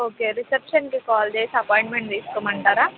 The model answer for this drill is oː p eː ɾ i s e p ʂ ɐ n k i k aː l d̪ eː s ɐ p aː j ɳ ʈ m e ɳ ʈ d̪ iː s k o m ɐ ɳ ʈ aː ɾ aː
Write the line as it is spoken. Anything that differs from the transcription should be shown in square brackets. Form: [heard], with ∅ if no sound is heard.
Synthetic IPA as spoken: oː [k] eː ɾ i s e p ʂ ɐ n k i k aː l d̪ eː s ɐ p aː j ɳ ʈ m e ɳ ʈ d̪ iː s k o m ɐ ɳ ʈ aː ɾ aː